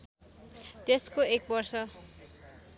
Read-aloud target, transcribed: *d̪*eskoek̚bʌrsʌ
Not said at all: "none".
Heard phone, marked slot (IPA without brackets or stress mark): t̪